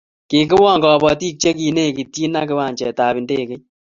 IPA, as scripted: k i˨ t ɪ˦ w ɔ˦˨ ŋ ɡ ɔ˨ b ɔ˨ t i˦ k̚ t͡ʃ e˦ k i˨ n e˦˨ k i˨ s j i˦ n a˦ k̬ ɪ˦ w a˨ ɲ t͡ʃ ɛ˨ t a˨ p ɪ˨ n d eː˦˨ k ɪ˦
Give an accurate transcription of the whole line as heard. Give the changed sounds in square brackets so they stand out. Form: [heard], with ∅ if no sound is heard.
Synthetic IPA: k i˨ [k] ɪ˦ w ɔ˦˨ ŋ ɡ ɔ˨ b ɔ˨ t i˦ k̚ t͡ʃ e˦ k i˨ n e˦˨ k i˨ [t] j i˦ n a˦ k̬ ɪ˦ w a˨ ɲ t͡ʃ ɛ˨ t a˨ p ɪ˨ n d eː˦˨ k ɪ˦